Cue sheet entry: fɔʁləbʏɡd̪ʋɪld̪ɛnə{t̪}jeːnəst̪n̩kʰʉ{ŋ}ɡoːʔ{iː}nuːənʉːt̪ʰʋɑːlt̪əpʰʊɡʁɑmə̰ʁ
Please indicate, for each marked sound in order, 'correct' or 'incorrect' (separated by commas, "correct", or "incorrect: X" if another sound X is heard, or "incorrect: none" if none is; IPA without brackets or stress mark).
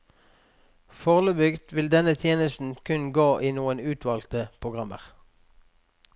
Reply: incorrect: t̪ʰ, incorrect: n, correct